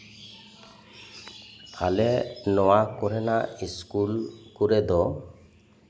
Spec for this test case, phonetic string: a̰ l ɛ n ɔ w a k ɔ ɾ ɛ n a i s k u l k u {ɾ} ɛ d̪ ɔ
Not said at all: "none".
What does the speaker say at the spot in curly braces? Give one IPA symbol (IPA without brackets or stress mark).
ɾ